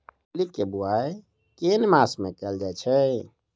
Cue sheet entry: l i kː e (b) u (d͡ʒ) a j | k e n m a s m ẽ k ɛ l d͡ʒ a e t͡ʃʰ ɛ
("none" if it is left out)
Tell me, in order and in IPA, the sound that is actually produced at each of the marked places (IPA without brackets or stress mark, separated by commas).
b, none